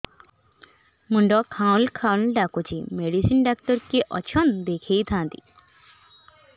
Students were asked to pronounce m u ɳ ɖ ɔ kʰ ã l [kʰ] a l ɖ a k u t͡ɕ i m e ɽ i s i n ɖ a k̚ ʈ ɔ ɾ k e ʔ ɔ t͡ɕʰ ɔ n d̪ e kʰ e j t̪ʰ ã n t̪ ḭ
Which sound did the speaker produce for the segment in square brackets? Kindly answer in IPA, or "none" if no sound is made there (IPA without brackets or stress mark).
kʰ